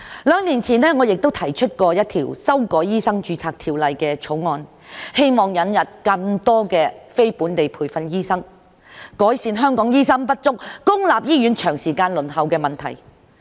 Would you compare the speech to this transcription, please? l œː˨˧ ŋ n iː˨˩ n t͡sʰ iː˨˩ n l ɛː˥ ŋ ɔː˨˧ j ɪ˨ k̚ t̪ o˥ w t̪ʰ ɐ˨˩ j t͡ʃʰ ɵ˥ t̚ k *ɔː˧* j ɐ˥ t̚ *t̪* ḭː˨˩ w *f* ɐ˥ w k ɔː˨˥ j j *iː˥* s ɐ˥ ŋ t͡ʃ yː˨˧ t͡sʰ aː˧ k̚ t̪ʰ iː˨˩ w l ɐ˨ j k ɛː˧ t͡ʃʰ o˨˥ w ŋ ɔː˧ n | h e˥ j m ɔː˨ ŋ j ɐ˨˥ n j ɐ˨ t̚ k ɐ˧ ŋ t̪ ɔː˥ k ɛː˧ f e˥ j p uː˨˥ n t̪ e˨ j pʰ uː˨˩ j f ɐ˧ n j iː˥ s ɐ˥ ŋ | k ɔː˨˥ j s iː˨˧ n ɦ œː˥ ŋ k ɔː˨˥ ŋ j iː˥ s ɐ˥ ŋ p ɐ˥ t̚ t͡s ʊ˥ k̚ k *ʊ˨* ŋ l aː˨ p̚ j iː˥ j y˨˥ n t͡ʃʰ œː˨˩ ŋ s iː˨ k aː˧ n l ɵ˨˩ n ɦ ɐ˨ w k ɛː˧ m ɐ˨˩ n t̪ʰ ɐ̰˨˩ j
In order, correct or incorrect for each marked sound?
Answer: correct, incorrect: t̪ʰ, incorrect: s, correct, incorrect: ʊ˥

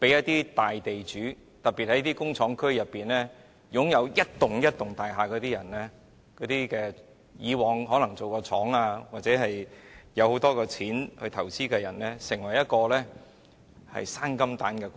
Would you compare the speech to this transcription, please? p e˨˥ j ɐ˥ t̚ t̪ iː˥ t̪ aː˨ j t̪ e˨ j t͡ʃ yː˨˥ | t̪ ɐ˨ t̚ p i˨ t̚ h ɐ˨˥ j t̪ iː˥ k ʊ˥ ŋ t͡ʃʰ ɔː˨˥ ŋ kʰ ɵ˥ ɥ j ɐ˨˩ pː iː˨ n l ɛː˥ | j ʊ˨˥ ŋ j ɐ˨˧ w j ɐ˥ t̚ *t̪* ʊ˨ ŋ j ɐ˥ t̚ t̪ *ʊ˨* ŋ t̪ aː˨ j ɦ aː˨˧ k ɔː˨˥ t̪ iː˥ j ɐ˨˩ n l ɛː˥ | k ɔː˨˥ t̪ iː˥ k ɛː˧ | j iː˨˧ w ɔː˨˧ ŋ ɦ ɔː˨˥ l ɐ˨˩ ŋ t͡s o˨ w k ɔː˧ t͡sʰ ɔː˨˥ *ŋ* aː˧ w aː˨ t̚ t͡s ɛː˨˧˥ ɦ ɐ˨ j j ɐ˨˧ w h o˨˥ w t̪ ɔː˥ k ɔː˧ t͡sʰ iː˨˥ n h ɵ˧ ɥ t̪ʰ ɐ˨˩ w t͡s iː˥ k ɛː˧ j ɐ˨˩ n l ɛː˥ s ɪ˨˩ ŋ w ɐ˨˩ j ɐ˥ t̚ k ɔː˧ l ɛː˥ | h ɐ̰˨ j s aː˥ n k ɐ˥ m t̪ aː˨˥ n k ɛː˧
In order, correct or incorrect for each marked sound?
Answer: correct, correct, correct

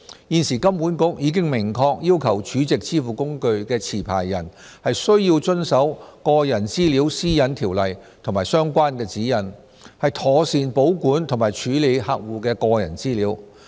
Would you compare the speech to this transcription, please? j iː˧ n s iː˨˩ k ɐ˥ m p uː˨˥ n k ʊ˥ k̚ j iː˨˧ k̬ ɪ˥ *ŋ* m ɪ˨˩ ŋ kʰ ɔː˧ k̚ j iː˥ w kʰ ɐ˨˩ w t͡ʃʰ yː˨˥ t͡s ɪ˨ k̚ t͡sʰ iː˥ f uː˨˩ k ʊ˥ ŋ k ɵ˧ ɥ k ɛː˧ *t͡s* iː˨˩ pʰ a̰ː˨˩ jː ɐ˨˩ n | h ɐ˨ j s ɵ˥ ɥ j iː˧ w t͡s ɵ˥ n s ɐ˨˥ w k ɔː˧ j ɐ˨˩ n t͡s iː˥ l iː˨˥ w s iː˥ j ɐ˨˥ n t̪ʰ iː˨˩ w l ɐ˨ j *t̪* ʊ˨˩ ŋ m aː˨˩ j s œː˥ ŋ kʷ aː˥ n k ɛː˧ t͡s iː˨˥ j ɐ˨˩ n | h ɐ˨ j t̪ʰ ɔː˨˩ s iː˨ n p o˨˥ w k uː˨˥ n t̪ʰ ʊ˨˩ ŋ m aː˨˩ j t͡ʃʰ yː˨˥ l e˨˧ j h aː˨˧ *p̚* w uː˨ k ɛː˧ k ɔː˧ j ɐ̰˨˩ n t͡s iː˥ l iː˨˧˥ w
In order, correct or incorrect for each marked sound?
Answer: correct, incorrect: t͡sʰ, incorrect: t̪ʰ, incorrect: k̚

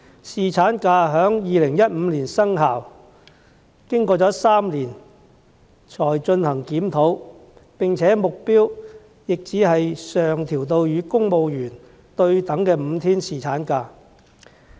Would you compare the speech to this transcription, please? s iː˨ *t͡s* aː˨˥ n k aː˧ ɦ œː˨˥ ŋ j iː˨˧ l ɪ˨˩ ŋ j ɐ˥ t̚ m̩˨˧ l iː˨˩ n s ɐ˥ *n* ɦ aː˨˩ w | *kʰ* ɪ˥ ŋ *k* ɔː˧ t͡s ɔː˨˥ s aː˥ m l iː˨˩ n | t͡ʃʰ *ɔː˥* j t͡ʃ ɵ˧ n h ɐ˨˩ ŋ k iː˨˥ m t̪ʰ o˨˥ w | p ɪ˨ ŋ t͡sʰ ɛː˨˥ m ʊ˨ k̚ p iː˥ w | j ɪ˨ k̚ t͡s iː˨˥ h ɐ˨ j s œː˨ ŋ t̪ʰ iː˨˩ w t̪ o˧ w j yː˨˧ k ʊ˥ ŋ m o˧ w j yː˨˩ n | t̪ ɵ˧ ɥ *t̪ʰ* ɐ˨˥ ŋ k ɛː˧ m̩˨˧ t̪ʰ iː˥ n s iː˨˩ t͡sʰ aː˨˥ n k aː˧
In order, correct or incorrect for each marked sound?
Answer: incorrect: t͡sʰ, incorrect: ŋ, incorrect: k, correct, incorrect: ɔː˨˩, incorrect: t̪

